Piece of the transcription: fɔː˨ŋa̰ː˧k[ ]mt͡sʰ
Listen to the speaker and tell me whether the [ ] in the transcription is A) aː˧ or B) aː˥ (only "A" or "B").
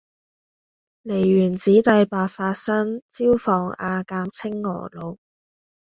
A